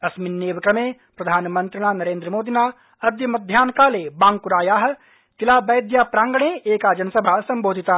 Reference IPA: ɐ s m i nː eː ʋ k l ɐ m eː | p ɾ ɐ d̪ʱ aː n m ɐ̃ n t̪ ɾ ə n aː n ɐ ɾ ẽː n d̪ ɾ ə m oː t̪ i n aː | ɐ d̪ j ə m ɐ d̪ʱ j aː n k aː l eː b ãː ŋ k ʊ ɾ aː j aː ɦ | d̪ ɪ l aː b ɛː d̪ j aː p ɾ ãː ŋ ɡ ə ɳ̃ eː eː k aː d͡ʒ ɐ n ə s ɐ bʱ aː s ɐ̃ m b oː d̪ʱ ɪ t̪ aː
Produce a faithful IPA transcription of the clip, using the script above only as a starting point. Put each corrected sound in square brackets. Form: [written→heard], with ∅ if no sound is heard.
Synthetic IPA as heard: ɐ s m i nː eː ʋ k [l→ɾ] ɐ m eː | p ɾ ɐ d̪ʱ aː n m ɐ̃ n t̪ ɾ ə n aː n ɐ ɾ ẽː n d̪ ɾ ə m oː [t̪→d̪] i n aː | ɐ d̪ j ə m ɐ d̪ʱ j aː n k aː l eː b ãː ŋ k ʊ ɾ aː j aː ɦ | [d̪→t̪] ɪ l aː b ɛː d̪ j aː p ɾ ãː ŋ ɡ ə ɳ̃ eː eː k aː d͡ʒ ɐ n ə s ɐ bʱ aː s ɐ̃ m b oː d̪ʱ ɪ t̪ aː